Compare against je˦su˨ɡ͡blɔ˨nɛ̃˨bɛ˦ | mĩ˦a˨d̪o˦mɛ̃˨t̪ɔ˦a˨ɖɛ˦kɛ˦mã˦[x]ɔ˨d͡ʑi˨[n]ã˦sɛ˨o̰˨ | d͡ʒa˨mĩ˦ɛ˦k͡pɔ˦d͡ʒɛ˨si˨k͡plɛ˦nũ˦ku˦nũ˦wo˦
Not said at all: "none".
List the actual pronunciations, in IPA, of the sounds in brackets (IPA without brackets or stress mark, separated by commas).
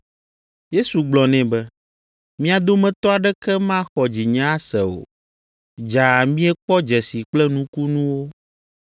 x, ɲ